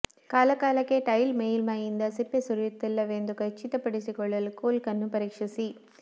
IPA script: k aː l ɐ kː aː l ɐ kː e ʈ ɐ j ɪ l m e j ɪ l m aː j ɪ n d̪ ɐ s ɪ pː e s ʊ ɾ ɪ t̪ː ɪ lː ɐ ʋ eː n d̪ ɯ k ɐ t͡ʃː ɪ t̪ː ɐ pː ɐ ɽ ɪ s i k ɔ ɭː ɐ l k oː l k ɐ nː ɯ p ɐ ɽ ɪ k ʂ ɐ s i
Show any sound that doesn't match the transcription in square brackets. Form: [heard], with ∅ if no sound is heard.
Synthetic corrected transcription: k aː l ɐ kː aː l ɐ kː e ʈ ɐ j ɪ l m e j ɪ l m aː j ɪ n d̪ ɐ s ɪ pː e s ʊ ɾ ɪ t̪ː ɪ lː ɐ ʋ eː n d̪ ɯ k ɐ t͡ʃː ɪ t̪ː ɐ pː ɐ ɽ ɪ s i k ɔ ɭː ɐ l k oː l k ɐ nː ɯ p ɐ [ɾ] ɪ k ʂ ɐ s i